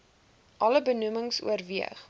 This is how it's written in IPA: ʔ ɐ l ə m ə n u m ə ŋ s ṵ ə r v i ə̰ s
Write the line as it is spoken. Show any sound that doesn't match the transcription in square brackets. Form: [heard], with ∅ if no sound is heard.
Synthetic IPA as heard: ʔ ɐ l ə [b] ə n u m ə ŋ s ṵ ə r v i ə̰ [χ]